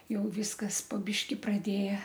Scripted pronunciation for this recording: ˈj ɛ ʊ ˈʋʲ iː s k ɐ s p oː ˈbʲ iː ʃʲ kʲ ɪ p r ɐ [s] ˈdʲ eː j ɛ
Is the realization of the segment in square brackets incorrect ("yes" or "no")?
yes